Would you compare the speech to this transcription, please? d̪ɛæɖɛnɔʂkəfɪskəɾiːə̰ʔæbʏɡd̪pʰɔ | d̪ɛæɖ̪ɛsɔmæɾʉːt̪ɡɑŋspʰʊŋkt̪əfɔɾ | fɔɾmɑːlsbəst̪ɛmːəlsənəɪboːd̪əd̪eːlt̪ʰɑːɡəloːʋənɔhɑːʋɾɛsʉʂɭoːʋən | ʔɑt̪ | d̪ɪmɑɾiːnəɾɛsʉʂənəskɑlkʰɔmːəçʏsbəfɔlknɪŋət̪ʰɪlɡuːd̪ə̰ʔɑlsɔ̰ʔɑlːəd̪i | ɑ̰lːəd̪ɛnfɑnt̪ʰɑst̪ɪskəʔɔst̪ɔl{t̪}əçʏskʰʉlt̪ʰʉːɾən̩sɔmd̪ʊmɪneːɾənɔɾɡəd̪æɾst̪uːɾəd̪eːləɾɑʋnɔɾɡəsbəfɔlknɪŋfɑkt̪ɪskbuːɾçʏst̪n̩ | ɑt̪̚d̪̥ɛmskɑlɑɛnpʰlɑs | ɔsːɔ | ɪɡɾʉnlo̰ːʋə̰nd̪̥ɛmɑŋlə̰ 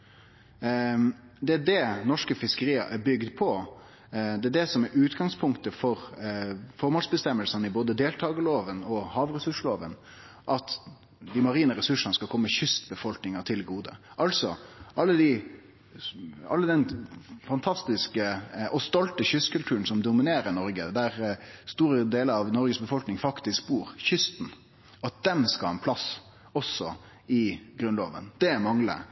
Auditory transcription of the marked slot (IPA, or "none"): t̪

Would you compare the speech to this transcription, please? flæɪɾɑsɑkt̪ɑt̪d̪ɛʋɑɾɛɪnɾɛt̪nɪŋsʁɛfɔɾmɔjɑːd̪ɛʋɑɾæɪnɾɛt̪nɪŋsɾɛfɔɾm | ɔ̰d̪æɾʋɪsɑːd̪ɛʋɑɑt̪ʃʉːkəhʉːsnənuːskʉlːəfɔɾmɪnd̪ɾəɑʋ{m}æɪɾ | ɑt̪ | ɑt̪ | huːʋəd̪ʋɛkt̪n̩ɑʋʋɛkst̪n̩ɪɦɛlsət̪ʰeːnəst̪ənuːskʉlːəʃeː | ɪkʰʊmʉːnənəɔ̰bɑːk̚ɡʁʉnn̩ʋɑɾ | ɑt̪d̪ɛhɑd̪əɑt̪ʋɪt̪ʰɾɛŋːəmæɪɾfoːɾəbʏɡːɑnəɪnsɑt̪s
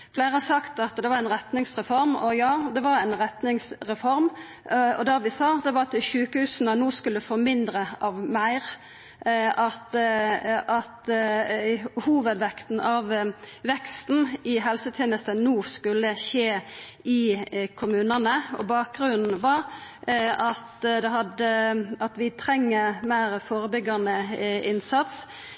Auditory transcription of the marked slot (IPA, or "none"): m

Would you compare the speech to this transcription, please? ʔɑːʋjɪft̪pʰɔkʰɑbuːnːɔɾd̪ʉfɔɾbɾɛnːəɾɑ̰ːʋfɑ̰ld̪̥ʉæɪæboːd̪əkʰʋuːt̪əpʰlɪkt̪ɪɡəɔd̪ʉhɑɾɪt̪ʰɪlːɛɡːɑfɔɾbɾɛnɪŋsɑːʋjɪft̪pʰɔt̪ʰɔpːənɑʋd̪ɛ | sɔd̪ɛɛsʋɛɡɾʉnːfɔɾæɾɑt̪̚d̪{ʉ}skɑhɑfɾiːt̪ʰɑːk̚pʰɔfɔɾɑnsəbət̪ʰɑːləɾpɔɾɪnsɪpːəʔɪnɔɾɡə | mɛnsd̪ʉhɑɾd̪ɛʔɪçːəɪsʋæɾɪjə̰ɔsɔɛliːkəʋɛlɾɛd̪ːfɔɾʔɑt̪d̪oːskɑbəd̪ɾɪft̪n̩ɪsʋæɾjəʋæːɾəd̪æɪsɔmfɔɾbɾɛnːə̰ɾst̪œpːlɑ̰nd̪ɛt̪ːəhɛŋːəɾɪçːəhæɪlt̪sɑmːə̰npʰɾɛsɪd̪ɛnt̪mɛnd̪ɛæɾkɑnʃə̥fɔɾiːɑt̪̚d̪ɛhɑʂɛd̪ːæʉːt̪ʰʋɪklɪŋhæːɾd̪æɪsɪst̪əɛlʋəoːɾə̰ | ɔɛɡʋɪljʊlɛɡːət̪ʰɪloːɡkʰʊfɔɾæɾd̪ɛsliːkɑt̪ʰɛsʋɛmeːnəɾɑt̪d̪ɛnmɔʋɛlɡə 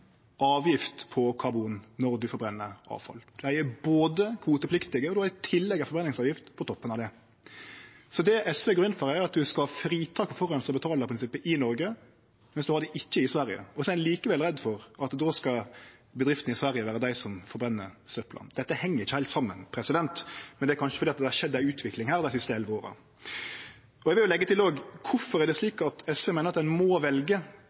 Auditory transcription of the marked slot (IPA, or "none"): ʉ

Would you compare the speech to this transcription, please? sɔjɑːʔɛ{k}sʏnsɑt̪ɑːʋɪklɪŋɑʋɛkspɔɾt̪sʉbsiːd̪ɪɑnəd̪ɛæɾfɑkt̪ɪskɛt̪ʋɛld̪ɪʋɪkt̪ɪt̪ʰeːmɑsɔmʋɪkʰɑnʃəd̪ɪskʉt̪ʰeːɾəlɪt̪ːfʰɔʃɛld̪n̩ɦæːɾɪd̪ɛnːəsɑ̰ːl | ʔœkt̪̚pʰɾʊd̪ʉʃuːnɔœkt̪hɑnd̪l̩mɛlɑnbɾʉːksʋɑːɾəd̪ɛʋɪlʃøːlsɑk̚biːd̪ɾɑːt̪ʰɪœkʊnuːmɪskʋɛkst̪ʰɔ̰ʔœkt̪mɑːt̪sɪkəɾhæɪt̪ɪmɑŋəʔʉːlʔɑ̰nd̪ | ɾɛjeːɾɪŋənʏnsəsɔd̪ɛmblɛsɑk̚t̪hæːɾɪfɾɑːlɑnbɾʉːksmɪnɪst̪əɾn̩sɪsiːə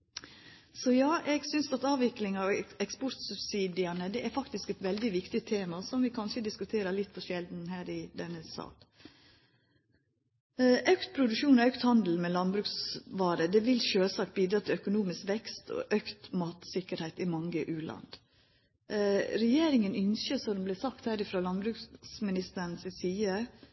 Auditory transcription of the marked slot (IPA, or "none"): ɡ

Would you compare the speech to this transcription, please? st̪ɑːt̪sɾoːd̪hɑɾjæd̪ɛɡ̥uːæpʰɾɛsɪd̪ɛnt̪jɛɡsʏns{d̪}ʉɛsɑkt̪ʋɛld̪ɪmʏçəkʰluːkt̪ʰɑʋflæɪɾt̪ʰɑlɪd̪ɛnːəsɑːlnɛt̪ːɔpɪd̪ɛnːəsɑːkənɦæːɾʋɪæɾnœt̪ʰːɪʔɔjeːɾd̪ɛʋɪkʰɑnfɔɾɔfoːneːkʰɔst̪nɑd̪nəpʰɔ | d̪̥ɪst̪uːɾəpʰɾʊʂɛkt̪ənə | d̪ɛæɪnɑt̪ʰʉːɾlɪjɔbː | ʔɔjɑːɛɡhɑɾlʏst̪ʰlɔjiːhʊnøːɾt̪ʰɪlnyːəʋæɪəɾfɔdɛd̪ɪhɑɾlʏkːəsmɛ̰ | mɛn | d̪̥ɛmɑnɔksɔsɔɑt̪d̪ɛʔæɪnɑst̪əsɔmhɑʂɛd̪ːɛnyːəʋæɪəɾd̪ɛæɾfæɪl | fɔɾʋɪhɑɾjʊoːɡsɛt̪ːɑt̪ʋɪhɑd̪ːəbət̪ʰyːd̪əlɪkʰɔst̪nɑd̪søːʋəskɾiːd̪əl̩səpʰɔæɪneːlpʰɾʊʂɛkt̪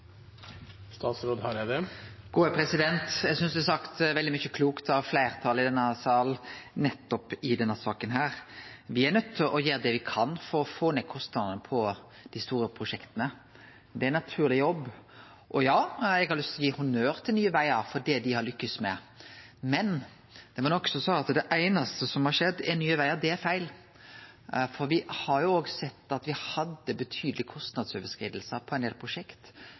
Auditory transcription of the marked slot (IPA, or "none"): d̪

